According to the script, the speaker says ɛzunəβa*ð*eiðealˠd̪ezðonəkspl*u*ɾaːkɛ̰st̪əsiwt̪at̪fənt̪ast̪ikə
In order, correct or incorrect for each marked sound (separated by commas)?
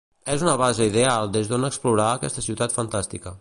incorrect, correct